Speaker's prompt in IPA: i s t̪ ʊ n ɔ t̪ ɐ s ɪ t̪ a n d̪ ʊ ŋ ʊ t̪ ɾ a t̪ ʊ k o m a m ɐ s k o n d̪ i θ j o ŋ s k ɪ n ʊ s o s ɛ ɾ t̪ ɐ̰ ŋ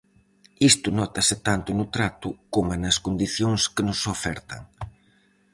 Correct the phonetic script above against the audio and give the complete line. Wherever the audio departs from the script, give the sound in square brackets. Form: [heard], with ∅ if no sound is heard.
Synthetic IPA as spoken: i s t̪ ʊ n ɔ t̪ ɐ s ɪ t̪ a n [t̪] ʊ [n] ʊ t̪ ɾ a t̪ ʊ k o m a [n] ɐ s k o n d̪ i θ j o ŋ s k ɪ n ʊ s o [f] ɛ ɾ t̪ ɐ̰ ŋ